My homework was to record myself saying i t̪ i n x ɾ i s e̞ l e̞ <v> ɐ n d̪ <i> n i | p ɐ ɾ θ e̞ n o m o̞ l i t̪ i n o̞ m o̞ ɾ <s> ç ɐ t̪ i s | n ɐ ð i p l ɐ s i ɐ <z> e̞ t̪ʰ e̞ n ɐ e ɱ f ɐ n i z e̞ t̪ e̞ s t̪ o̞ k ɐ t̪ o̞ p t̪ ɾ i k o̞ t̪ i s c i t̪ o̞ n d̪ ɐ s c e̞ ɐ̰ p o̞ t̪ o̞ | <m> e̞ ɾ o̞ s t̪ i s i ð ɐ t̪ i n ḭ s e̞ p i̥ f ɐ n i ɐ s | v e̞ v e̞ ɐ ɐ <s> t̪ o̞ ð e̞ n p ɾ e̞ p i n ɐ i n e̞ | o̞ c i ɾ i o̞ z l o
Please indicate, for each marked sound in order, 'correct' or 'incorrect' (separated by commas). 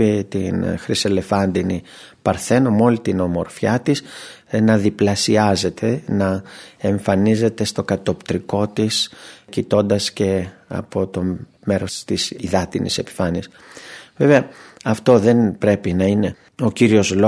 incorrect, correct, incorrect, correct, correct, incorrect